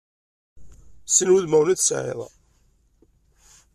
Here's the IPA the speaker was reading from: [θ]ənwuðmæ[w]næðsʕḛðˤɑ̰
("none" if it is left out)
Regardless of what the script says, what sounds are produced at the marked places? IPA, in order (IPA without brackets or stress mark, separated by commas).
s, w